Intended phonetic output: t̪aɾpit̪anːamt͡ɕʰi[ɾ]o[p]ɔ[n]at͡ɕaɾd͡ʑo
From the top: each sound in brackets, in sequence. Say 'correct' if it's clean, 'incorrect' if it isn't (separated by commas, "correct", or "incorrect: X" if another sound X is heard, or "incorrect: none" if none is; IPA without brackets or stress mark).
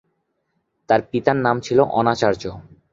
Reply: incorrect: l, incorrect: ʔ, correct